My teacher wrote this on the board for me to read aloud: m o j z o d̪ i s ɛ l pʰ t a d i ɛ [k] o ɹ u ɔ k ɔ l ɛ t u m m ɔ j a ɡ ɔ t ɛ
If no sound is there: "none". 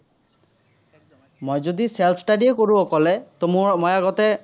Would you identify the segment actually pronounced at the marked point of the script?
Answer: k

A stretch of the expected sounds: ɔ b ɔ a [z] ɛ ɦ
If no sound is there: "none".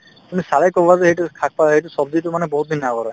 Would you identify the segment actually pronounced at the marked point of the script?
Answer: z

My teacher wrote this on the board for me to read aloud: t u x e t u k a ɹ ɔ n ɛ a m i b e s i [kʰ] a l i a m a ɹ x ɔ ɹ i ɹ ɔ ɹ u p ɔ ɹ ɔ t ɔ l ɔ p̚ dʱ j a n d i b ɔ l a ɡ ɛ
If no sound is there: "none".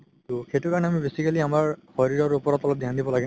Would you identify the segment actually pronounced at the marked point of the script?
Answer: k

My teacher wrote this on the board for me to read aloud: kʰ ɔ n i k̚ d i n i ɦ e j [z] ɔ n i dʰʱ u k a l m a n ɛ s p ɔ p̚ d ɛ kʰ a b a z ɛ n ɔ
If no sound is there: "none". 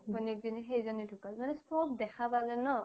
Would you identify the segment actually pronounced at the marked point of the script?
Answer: z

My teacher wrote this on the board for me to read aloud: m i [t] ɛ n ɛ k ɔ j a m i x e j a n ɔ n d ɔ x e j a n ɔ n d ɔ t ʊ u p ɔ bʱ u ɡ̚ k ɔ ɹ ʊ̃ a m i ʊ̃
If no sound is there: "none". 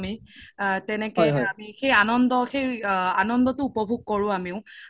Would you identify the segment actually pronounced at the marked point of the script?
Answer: t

